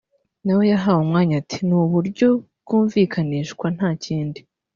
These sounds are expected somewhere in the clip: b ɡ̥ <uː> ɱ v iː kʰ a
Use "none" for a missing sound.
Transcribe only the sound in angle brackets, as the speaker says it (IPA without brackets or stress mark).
uː